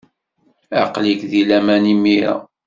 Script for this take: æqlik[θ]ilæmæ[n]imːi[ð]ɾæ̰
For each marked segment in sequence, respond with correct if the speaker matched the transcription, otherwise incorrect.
incorrect: ð, correct, incorrect: none

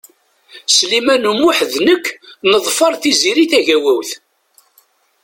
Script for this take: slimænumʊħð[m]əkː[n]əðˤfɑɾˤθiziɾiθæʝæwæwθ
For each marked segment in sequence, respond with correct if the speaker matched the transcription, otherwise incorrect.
incorrect: n, correct

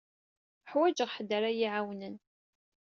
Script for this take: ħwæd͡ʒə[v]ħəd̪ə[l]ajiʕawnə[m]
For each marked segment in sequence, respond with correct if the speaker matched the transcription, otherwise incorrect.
incorrect: ʁ, incorrect: ɾ, incorrect: n

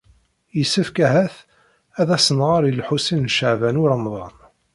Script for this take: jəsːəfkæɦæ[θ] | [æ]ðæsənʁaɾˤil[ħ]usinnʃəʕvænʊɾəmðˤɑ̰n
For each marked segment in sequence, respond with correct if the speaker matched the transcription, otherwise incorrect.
correct, correct, correct

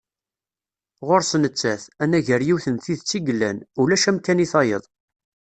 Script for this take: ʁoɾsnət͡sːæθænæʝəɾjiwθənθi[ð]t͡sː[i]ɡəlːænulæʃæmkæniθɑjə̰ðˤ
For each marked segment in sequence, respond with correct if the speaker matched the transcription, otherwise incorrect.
correct, correct

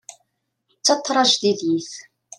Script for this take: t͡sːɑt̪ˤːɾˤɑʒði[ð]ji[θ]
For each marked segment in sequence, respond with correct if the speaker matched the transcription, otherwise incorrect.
correct, correct

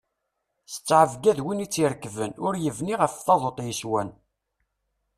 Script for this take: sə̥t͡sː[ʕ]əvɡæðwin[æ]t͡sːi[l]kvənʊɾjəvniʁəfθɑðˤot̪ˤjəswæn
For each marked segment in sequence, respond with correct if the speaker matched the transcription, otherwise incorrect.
correct, incorrect: i, incorrect: ɾ

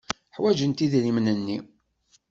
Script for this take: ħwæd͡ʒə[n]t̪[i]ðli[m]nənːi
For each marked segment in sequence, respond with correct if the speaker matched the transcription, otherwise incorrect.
correct, correct, correct

